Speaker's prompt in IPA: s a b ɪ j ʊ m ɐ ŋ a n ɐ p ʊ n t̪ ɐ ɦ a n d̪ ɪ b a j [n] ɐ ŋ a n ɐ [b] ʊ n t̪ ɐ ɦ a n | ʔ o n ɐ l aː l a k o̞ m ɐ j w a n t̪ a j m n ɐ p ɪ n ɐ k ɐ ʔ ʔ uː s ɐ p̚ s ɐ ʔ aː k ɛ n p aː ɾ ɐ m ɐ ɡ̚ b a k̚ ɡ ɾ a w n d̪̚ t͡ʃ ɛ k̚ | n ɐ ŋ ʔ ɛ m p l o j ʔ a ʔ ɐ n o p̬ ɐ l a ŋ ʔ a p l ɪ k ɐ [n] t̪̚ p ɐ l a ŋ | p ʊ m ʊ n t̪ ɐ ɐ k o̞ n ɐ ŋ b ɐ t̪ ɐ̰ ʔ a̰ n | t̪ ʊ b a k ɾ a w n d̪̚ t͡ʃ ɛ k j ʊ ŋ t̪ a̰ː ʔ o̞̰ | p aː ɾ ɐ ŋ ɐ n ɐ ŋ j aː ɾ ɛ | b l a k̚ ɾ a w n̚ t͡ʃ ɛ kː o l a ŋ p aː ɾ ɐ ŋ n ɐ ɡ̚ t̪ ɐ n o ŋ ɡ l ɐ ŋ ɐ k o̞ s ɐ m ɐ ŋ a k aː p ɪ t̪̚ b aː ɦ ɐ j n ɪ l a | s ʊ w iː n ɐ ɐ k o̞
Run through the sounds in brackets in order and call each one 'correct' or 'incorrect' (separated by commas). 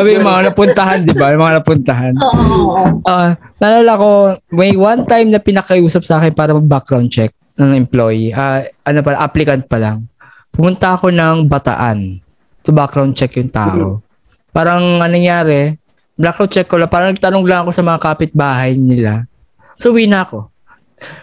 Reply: incorrect, incorrect, correct